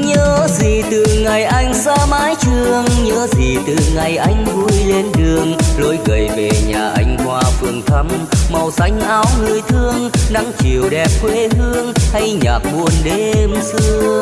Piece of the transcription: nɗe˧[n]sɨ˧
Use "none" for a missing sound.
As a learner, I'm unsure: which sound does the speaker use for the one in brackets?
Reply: m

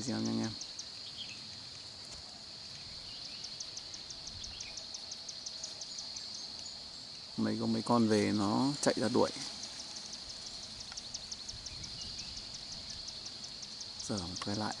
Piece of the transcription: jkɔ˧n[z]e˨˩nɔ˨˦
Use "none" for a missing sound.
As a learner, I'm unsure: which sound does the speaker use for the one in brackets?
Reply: v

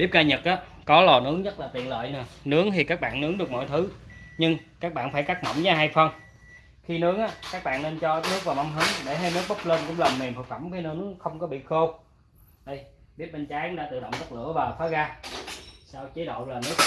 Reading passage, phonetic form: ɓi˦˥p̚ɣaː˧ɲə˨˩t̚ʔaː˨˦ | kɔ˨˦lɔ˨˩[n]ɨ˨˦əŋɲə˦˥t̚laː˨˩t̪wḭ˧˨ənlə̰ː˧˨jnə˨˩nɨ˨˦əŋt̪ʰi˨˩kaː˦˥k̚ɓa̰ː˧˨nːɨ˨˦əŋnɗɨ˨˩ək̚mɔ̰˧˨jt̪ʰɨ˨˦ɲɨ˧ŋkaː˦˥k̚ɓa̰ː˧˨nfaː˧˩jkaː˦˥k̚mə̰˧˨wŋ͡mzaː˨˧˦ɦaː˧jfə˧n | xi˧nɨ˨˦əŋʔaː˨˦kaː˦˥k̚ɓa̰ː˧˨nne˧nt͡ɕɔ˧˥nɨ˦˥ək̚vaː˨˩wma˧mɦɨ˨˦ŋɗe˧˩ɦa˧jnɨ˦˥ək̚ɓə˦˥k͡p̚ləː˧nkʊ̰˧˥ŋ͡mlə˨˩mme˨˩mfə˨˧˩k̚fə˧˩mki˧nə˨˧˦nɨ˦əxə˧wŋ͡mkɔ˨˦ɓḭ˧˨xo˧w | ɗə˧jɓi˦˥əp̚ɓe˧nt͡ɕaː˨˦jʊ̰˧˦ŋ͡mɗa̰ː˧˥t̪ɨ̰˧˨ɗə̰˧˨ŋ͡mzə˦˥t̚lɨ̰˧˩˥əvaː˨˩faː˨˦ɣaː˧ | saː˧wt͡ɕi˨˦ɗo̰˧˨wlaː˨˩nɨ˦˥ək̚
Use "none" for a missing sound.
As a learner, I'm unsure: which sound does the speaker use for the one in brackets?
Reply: n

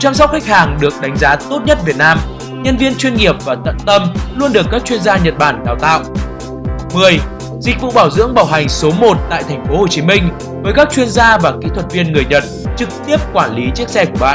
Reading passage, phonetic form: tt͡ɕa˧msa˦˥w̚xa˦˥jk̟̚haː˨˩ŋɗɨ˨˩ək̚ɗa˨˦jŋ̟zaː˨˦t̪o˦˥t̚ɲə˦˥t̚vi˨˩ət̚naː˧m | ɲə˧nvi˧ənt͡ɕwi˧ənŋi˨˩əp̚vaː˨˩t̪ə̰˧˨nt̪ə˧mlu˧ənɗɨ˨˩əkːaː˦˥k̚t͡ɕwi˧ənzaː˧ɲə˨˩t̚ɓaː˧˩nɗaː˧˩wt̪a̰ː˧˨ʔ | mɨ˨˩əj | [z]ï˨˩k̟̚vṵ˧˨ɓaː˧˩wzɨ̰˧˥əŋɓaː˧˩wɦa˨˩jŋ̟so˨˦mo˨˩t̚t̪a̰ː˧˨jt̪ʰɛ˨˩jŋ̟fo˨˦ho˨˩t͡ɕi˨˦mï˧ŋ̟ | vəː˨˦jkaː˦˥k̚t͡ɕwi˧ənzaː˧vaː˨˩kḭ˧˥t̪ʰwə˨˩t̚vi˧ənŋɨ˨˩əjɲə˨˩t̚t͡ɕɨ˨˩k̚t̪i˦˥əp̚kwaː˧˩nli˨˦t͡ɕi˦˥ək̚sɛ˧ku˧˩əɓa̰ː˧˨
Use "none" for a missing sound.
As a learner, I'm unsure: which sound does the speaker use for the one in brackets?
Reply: z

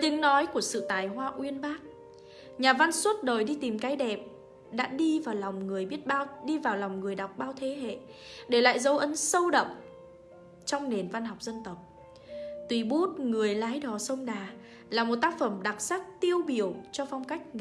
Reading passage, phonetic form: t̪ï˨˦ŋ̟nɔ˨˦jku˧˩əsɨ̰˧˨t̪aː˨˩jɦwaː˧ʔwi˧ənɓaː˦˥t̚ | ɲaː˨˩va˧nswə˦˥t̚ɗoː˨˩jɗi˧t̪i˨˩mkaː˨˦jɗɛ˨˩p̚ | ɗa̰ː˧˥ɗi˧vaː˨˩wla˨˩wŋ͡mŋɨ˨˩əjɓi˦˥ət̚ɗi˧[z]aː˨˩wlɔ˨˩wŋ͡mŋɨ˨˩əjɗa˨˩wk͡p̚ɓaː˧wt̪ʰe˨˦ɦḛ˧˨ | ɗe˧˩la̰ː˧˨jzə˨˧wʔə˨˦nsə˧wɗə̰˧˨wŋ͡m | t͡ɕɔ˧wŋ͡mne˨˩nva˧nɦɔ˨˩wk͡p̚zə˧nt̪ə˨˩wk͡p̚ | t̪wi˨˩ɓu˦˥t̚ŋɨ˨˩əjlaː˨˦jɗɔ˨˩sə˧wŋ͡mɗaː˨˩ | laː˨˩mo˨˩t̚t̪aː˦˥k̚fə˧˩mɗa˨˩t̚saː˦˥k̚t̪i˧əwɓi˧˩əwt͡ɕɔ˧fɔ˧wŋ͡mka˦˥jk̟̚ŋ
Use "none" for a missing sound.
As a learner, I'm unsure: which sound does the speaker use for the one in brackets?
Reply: v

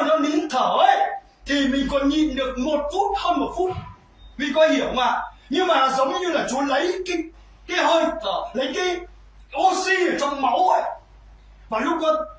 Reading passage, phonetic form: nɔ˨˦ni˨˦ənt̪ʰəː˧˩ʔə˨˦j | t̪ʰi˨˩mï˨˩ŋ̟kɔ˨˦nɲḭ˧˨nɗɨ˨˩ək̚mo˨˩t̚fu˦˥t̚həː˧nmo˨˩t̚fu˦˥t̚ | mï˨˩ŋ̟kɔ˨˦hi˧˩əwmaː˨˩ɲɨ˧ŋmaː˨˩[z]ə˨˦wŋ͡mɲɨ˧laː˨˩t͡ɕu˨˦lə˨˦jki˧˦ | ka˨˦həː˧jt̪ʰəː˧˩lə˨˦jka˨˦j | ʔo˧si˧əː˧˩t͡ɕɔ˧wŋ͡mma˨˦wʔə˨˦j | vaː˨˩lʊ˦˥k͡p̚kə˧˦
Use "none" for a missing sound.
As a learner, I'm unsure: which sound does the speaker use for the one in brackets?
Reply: z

